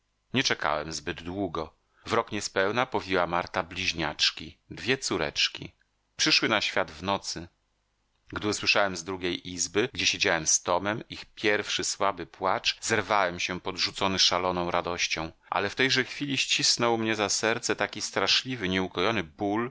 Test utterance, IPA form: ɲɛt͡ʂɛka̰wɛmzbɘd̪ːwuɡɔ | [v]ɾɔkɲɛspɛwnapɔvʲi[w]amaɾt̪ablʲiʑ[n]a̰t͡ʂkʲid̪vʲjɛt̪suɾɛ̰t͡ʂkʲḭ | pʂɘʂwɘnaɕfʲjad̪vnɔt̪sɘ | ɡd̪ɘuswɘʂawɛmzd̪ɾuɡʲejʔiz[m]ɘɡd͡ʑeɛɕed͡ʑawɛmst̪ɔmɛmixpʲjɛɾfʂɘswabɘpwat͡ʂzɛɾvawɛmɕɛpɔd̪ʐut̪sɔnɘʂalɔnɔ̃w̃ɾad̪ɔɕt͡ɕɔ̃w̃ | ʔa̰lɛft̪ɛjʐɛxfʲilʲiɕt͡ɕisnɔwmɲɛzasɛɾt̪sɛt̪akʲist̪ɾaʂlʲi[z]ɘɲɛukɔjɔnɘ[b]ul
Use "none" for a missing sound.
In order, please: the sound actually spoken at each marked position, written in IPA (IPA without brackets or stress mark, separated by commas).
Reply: v, w, ɲ, b, v, b